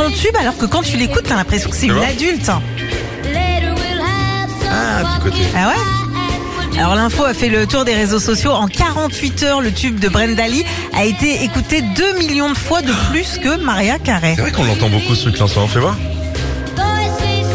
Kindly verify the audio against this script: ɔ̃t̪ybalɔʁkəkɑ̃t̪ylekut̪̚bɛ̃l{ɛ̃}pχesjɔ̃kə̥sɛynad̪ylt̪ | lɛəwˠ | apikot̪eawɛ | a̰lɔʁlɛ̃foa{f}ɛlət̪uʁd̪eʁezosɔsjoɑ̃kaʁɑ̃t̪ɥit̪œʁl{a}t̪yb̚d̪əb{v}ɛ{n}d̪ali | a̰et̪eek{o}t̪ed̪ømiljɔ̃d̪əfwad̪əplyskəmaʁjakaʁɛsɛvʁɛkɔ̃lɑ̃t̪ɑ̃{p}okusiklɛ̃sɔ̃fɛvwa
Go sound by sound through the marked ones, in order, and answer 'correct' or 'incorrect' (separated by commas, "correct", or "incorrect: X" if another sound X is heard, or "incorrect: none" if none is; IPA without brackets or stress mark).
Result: correct, correct, incorrect: ə, incorrect: ʁ, correct, incorrect: u, incorrect: b